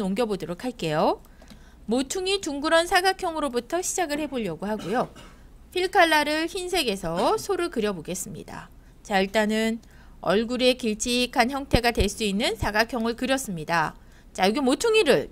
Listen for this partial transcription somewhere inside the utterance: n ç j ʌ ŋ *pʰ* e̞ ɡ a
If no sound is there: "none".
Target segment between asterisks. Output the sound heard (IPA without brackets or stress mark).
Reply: tʰ